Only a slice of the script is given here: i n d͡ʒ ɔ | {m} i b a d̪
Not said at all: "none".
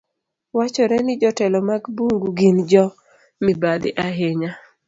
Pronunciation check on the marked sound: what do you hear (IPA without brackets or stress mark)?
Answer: m